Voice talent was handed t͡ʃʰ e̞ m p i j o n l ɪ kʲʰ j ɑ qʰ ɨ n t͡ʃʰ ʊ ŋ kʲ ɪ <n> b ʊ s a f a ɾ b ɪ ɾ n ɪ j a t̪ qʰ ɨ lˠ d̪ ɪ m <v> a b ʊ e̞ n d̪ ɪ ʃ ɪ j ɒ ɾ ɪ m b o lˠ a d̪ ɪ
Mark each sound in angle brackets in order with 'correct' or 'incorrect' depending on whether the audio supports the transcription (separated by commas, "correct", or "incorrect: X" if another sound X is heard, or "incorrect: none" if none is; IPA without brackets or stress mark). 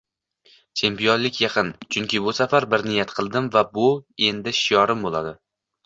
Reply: incorrect: none, correct